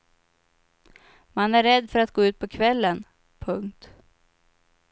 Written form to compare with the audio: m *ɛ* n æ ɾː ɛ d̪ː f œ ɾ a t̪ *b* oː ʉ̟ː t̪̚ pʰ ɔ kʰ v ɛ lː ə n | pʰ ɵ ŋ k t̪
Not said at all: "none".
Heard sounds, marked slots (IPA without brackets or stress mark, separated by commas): a, ɡ